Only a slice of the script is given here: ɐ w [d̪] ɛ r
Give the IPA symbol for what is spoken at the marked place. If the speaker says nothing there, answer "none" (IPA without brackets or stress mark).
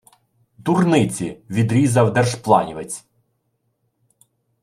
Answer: d̪